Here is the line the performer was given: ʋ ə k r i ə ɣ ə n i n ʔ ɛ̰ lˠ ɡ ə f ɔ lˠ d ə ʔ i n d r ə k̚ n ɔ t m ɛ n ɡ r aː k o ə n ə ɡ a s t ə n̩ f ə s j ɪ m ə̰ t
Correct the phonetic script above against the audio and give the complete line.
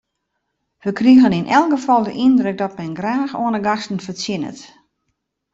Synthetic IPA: ʋ ə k r i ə ɣ ə n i n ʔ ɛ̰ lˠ ɡ ə f ɔ lˠ d ə ʔ i n d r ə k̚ d ɔ t m ɛ n ɡ r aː x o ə n ə ɡ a s t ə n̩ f ə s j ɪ n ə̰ t